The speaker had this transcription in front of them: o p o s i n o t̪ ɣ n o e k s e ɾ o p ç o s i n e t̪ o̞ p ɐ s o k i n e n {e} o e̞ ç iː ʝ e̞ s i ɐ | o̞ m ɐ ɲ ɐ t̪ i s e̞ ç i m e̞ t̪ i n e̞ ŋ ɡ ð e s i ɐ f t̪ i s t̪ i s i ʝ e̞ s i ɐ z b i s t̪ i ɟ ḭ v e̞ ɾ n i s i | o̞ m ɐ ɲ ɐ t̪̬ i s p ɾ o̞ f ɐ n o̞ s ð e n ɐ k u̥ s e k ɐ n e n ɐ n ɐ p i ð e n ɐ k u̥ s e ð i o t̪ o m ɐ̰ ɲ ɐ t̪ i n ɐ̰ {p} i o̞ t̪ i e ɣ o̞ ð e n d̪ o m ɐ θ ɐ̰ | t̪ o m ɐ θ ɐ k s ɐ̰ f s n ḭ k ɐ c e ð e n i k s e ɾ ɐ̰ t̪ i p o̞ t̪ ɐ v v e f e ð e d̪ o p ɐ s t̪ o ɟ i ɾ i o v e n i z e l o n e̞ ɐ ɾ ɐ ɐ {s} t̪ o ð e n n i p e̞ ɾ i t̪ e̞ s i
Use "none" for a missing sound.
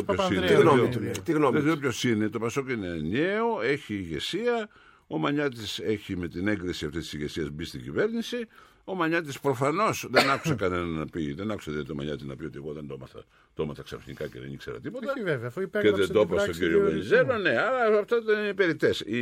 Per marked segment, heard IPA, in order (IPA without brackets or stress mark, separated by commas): e, p, f